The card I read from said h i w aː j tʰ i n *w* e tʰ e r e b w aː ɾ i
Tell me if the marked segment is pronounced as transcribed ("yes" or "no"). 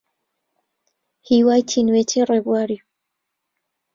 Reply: yes